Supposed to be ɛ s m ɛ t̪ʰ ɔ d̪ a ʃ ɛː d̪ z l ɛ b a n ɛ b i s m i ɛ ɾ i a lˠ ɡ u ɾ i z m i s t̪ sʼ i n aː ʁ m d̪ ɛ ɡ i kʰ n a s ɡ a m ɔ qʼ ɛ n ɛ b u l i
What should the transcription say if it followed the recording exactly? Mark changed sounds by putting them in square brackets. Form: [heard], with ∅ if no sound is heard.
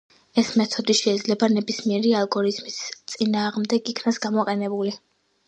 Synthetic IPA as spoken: ɛ s m ɛ t̪ʰ ɔ d̪ [i] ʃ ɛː d̪ z l ɛ b a n ɛ b i s m i ɛ ɾ i a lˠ ɡ [ɔ] ɾ i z m i s t̪ sʼ i n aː ʁ m d̪ ɛ ɡ i kʰ n a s ɡ a m ɔ qʼ ɛ n ɛ b u l i